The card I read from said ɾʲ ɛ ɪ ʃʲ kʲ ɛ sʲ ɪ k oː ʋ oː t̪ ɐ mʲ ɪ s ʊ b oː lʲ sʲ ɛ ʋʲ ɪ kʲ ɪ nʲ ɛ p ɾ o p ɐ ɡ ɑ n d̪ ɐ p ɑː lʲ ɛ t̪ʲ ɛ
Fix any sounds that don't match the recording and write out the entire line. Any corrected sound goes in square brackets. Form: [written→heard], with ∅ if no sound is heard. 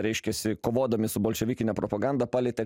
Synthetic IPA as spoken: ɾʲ ɛ ɪ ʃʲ kʲ ɛ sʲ ɪ k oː ʋ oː [t̪→d̪] ɐ mʲ ɪ s ʊ b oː lʲ [sʲ→ʃʲ] ɛ ʋʲ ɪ kʲ ɪ nʲ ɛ p ɾ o p ɐ ɡ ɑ n d̪ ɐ p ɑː lʲ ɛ t̪ʲ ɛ